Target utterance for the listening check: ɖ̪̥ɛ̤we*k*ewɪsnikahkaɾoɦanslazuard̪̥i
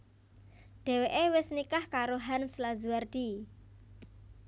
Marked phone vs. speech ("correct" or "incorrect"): incorrect